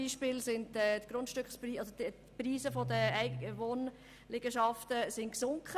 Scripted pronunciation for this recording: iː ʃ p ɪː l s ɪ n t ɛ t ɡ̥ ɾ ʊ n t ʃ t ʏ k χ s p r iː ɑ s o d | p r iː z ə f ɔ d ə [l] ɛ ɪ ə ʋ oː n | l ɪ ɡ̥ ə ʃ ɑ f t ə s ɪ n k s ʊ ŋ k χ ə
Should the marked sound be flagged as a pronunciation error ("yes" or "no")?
yes